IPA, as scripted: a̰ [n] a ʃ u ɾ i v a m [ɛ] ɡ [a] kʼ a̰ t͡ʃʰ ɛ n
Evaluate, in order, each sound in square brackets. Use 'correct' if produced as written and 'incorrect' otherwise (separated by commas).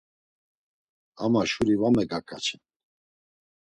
incorrect, correct, correct